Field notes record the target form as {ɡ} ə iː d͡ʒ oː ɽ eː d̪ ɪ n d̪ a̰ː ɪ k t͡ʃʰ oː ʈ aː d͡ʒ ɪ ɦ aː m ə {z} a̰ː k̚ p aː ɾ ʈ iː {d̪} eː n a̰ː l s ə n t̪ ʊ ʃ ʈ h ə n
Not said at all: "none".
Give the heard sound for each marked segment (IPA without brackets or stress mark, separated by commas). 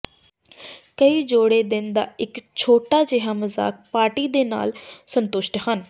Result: k, z, d̪